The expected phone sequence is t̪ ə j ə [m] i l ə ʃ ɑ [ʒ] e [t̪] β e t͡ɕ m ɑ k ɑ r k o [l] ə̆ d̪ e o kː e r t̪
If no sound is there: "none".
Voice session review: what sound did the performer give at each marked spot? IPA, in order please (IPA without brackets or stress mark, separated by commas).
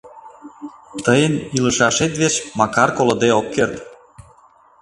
n, ʃ, t̪, l